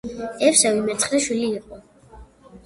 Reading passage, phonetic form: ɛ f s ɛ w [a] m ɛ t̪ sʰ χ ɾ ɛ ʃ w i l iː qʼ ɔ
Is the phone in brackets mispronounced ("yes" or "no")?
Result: yes